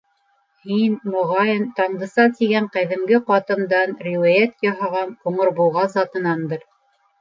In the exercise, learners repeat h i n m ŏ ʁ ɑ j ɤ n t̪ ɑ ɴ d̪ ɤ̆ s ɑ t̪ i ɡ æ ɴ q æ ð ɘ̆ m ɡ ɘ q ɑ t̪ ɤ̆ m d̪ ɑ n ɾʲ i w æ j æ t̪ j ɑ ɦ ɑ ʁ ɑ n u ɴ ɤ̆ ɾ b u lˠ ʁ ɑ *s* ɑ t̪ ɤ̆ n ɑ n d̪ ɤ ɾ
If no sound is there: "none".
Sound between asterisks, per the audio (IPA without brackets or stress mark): z